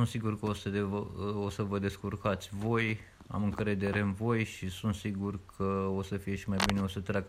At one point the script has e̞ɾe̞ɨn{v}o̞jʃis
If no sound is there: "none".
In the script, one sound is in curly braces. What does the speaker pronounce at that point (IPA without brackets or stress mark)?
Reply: v